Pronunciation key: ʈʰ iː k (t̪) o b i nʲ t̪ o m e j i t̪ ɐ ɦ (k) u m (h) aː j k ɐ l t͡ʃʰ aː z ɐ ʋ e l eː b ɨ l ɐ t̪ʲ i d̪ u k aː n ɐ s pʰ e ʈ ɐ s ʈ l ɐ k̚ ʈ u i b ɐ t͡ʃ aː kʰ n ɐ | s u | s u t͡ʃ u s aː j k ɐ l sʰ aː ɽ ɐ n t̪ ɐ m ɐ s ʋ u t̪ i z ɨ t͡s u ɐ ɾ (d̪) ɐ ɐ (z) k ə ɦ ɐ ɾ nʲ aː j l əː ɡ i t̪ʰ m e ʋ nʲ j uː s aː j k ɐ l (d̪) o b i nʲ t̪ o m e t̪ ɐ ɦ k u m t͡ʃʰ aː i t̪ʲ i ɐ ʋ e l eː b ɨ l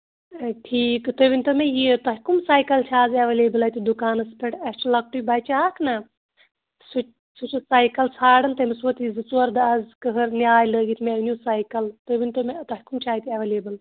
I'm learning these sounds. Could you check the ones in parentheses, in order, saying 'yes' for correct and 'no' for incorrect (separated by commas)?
yes, yes, no, yes, yes, no